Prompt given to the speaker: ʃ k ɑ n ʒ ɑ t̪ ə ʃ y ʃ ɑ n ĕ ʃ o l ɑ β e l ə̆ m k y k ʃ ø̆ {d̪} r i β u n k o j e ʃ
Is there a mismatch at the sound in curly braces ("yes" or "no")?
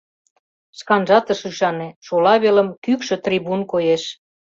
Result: yes